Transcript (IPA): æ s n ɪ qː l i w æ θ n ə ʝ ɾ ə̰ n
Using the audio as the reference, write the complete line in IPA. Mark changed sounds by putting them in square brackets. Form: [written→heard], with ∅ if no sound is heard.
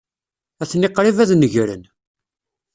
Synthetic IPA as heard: æ [s→θ] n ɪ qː [l→ɾ] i [w→v] æ [θ→ð] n ə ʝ ɾ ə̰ n

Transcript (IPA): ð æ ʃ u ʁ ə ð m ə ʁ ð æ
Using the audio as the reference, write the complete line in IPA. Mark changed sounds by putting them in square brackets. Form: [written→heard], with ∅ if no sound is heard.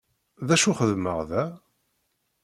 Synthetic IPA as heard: ð æ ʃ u [ʁ→χ] ə ð m ə ʁ ð æ

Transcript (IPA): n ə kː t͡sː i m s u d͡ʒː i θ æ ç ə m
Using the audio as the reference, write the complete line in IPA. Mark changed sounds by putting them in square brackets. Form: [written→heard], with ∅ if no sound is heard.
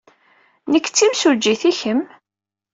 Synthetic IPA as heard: n ə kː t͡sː i m s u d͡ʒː i θ [æ→i] ç ə m

